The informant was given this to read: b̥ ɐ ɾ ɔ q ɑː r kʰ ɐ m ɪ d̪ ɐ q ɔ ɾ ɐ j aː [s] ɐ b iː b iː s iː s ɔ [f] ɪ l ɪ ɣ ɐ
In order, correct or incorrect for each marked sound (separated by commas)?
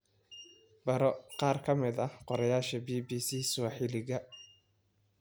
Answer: incorrect, incorrect